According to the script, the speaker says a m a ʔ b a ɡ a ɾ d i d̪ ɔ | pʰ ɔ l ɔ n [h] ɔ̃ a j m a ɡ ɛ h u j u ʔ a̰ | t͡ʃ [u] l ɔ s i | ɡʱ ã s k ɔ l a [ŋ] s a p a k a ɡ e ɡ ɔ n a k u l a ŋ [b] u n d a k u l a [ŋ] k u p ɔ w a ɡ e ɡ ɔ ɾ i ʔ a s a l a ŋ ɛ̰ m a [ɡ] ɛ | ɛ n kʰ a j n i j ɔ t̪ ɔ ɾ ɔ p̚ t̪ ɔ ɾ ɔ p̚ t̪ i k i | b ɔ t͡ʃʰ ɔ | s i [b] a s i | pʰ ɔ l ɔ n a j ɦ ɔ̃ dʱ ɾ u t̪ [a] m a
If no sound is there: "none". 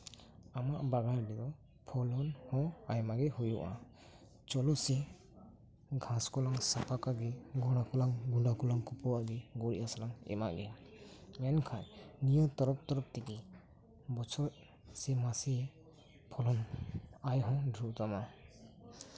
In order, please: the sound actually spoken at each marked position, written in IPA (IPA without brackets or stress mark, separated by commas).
h, ɔ, ŋ, ɡ, ŋ, ɡ, m, a